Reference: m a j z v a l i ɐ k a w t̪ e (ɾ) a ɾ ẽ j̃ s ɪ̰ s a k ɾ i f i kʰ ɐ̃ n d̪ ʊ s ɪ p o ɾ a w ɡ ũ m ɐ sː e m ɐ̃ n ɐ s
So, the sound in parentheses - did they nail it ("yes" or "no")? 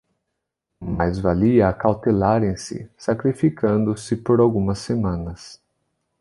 no